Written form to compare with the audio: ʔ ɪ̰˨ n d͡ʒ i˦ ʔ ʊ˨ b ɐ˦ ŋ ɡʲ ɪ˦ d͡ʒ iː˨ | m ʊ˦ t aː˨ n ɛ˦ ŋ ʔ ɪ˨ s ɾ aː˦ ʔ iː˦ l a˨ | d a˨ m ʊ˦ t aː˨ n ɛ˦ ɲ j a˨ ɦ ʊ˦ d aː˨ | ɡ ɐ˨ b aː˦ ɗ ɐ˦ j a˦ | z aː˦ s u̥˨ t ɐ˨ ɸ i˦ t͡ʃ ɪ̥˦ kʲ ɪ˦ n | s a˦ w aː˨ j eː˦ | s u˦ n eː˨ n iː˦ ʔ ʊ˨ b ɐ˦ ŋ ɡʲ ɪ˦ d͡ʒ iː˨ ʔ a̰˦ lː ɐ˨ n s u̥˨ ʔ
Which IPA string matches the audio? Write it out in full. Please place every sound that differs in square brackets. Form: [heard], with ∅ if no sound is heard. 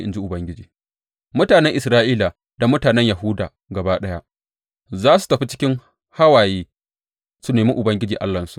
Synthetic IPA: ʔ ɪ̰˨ n d͡ʒ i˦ ʔ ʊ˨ b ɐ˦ ŋ ɡʲ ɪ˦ d͡ʒ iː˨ | m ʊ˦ t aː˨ n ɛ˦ ŋ ʔ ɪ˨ s ɾ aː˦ ʔ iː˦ l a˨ | d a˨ m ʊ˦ t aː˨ n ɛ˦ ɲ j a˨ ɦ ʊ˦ d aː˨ | ɡ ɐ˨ b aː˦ ɗ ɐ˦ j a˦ | z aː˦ s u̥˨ t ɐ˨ ɸ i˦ t͡ʃ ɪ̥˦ kʲ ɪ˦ [ŋ] | [h] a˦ w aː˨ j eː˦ | s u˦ n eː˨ [m] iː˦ ʔ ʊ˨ b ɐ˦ ŋ ɡʲ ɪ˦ d͡ʒ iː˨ ʔ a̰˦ lː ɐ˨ n s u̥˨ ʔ